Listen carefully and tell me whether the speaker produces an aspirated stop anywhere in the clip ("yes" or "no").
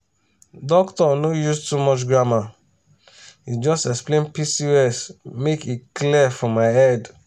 no